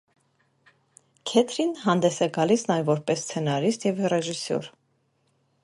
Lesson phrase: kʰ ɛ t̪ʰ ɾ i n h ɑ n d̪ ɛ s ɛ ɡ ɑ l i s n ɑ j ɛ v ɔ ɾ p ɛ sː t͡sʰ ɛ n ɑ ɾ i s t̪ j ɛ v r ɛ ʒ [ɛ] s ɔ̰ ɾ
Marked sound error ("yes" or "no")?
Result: yes